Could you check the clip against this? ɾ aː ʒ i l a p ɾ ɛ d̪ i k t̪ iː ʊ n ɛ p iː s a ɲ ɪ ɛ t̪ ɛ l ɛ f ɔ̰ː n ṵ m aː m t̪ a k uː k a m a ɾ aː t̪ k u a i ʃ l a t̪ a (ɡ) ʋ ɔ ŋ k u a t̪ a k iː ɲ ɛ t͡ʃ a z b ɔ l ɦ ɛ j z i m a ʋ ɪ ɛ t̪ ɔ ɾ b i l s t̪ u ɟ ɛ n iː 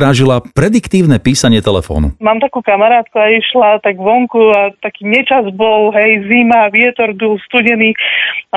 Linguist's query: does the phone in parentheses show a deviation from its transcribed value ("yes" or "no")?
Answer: no